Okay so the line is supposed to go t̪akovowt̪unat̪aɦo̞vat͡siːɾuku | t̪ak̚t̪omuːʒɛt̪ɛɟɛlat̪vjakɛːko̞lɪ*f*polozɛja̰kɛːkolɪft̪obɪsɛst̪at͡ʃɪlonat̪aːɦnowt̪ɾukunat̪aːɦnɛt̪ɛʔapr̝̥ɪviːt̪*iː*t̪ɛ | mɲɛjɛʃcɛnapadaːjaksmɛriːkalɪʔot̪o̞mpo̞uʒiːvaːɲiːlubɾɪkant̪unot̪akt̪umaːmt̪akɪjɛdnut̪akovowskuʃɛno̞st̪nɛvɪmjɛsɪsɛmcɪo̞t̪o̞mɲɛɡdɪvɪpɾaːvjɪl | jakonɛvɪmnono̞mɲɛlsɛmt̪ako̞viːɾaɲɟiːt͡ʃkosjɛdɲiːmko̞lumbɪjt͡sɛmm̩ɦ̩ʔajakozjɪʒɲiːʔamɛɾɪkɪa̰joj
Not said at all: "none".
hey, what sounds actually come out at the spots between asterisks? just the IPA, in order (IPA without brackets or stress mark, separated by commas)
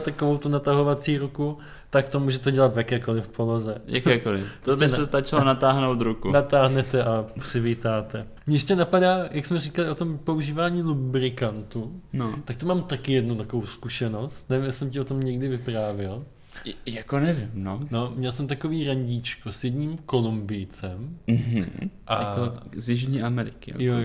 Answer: f, aː